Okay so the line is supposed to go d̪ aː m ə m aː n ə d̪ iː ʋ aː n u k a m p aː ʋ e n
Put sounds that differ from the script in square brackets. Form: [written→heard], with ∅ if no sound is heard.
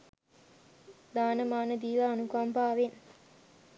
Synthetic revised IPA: d̪ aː [m→n] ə m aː n ə d̪ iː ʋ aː n u k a m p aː ʋ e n